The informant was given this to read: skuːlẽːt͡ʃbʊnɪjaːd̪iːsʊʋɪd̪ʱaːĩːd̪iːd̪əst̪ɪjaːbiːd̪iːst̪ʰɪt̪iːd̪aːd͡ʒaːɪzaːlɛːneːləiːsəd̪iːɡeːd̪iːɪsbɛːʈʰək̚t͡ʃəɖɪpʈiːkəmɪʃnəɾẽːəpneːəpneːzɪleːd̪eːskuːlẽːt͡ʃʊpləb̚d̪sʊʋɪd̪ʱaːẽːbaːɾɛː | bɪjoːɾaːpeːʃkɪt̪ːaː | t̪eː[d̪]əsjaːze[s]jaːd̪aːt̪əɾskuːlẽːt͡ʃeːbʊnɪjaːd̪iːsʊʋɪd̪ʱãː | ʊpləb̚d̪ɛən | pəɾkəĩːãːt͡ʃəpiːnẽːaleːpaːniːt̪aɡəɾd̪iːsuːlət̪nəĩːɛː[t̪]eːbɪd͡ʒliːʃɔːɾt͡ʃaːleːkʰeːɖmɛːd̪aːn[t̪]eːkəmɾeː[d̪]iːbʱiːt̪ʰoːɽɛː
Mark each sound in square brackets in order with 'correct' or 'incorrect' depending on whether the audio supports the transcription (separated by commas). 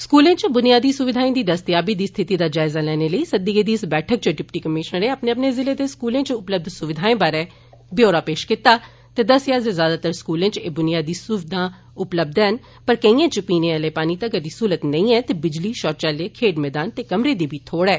correct, incorrect, correct, correct, correct